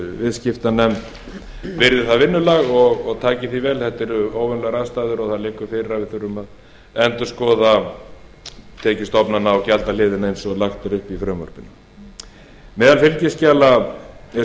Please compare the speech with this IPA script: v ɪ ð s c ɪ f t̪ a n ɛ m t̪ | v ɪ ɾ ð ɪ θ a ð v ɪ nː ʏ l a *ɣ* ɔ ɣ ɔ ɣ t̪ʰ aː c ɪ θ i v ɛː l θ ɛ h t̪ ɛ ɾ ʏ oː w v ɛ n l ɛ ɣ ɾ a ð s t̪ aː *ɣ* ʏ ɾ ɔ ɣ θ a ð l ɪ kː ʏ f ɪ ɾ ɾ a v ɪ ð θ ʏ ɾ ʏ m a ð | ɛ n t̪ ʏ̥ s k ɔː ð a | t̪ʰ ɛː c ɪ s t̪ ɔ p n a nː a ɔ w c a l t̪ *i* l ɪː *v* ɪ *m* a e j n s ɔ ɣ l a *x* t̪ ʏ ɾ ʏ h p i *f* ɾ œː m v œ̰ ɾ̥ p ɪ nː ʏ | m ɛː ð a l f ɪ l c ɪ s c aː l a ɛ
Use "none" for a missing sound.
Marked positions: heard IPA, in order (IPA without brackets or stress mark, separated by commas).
ɣ, ð, a, ð, n, x, f